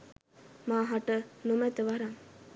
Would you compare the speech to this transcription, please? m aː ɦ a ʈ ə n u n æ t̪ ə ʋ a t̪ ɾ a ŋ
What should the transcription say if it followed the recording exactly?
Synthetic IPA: m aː ɦ a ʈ ə n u m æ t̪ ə ʋ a ɾ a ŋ